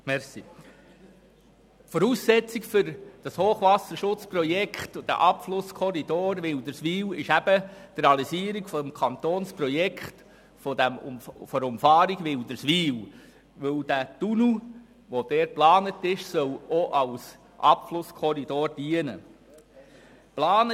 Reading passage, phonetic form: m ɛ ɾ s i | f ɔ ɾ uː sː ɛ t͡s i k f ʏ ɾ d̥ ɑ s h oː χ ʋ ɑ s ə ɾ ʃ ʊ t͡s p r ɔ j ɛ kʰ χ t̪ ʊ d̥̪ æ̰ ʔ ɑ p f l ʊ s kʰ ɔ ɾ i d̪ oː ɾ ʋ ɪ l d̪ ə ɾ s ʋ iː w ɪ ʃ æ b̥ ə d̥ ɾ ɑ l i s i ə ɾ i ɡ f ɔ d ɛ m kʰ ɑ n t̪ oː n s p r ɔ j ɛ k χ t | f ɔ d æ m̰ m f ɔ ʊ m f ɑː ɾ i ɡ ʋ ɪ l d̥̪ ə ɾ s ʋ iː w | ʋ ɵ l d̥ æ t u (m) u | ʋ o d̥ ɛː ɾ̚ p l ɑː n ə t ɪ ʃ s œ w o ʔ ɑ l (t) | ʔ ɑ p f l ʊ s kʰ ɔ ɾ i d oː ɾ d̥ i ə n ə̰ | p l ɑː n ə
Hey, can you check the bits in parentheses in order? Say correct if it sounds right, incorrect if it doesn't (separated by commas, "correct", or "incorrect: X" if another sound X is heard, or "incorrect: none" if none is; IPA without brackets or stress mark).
incorrect: n, incorrect: s